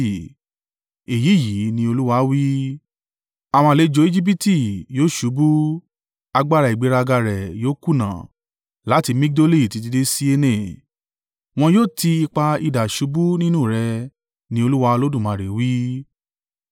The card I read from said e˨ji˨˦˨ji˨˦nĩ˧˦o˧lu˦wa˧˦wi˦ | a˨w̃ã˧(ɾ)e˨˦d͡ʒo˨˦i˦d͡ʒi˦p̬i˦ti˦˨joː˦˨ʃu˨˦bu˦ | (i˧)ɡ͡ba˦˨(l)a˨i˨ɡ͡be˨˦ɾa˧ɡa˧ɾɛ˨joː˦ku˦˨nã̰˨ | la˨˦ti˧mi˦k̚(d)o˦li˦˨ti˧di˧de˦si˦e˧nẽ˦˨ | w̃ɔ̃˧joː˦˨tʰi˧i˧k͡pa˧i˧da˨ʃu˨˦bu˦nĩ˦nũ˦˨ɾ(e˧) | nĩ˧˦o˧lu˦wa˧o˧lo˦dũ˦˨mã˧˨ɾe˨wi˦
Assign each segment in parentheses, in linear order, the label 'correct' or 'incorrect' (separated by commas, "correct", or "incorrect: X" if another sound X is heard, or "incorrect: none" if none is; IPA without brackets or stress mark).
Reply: incorrect: l, incorrect: a˧, incorrect: ɾ, correct, incorrect: ɛ˧